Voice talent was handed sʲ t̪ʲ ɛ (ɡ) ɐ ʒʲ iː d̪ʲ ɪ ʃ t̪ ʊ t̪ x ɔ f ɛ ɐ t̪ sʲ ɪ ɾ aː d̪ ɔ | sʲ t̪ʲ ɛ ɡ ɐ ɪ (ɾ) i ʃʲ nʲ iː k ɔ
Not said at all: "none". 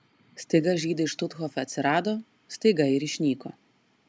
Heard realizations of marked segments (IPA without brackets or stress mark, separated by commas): ɡ, ɾ